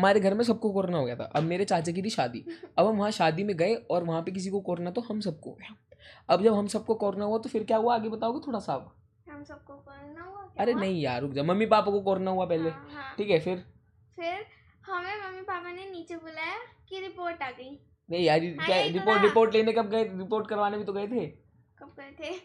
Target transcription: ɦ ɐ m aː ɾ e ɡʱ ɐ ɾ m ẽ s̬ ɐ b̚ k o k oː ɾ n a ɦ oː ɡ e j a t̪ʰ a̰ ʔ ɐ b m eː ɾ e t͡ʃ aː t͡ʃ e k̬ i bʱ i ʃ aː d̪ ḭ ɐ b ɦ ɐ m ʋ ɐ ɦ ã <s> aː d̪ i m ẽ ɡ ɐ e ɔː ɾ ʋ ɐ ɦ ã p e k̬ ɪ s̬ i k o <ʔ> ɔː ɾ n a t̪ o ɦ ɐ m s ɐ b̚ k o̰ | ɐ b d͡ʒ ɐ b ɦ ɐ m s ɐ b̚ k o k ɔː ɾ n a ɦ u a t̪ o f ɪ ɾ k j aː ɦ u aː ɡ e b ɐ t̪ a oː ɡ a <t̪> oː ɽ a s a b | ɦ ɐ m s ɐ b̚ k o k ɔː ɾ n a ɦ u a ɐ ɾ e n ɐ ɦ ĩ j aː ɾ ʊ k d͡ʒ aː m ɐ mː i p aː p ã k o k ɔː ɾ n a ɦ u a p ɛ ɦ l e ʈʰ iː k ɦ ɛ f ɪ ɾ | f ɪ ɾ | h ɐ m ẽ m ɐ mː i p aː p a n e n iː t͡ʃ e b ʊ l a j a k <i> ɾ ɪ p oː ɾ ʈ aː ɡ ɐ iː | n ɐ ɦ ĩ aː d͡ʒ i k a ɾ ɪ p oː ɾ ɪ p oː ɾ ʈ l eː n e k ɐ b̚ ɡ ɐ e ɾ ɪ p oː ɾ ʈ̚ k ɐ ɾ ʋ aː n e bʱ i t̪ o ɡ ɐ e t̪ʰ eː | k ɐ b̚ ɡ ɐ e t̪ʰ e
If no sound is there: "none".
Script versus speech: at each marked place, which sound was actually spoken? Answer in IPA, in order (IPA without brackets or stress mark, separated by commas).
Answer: ʃ, k, t̪ʰ, i